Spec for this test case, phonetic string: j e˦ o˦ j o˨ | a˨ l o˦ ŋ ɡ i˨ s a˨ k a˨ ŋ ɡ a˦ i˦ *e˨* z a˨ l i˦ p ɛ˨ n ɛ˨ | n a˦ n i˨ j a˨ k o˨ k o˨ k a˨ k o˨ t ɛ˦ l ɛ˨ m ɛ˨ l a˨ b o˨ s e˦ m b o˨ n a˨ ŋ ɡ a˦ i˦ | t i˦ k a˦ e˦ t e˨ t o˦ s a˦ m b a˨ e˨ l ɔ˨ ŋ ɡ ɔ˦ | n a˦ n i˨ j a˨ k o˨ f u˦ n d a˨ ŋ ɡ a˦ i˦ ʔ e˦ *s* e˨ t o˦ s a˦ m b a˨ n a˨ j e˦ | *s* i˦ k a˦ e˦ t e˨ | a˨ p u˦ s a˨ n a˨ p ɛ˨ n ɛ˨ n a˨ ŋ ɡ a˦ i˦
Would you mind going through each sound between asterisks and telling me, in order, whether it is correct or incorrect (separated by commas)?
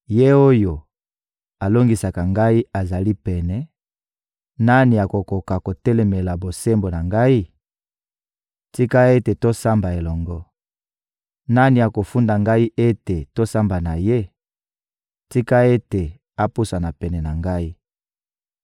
incorrect, incorrect, incorrect